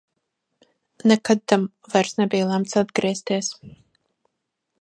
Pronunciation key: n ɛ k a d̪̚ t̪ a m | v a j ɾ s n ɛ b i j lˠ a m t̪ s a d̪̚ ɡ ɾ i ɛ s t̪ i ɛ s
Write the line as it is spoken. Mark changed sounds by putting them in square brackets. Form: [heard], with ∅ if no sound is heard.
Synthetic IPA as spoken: n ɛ k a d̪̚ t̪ a m | v a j ɾ s n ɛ b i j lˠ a m t̪ s a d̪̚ ɡ ɾ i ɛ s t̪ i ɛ s